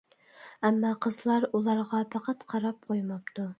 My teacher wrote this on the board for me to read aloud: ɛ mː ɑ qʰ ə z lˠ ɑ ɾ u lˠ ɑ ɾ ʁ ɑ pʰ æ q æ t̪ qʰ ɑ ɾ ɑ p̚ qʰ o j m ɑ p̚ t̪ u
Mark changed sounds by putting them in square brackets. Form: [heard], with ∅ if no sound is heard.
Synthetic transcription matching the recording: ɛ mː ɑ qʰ ə z lˠ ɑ ɾ u lˠ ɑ ɾ ʁ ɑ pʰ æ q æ t̪ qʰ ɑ ɾ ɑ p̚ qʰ o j m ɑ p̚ t̪ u